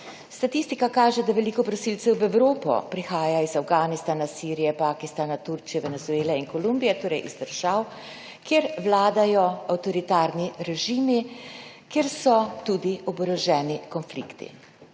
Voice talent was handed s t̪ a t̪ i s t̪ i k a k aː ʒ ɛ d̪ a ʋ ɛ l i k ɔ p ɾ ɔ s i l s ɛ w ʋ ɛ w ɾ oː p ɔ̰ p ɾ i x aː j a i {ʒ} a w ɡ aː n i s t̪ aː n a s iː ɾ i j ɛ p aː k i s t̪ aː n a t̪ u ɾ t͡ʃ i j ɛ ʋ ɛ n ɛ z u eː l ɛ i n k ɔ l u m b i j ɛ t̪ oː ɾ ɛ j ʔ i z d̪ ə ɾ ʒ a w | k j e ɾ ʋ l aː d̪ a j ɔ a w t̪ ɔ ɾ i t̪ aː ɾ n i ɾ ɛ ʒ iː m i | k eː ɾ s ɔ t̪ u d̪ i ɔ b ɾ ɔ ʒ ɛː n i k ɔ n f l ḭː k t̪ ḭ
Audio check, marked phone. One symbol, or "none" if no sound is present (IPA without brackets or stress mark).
z